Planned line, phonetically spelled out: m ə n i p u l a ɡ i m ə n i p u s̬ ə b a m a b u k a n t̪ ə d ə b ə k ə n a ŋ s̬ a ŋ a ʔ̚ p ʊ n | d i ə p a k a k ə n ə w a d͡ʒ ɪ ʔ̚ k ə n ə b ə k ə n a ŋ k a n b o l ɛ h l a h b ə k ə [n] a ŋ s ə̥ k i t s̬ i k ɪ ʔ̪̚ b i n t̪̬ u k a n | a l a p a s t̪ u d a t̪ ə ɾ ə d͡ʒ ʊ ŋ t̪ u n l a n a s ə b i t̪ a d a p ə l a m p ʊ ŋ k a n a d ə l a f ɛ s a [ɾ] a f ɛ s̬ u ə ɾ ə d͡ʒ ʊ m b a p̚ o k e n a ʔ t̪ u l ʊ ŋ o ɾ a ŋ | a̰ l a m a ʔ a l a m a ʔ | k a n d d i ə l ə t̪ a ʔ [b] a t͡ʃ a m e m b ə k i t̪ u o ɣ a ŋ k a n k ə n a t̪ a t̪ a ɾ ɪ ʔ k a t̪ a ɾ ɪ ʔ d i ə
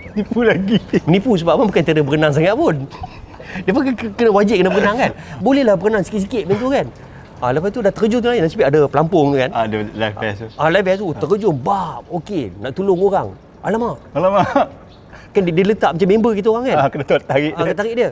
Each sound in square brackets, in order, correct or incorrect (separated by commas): correct, incorrect, incorrect